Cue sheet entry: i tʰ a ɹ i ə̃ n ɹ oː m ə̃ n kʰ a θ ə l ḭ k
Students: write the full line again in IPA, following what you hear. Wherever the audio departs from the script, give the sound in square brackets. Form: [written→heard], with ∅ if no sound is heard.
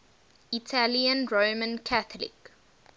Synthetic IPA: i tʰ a [ɹ→l] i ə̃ n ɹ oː m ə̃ n kʰ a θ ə l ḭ k